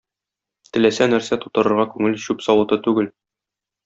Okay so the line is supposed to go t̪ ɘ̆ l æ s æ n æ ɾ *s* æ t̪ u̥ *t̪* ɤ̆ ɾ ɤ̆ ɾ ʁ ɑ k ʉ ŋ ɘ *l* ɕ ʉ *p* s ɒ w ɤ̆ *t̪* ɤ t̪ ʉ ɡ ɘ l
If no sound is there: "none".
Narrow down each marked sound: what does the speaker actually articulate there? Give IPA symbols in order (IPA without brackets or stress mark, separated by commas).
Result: s, t̪, l, p, t̪